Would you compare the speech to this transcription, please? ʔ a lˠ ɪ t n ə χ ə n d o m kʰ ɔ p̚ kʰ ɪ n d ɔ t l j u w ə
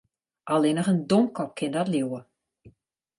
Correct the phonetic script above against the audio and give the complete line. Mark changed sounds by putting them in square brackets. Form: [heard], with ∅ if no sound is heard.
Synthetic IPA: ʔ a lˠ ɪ [∅] n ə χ ə n d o m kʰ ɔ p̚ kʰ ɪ n d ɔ t l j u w ə